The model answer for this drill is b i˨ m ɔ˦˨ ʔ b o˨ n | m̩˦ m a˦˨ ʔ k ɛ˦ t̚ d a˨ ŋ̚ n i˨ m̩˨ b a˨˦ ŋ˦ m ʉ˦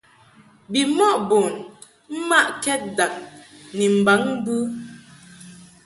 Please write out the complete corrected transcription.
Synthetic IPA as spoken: b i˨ m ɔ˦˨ ʔ b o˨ n | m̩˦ m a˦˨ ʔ k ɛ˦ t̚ d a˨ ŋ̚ n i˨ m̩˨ b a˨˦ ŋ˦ b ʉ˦